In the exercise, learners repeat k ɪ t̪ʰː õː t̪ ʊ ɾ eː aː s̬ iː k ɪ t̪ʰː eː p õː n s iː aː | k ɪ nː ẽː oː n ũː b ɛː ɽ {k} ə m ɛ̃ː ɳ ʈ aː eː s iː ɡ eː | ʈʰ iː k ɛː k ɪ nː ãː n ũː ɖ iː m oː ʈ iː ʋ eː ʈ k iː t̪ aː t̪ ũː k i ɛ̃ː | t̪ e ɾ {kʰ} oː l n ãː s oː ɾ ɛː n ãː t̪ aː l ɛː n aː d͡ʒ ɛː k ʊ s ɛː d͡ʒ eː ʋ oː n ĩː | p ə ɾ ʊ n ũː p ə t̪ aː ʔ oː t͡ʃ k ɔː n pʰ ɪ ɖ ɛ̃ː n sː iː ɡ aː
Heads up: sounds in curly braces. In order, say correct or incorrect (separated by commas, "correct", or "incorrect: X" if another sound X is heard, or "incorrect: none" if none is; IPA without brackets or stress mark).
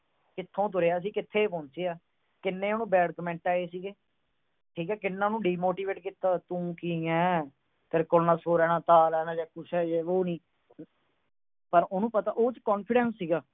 correct, incorrect: k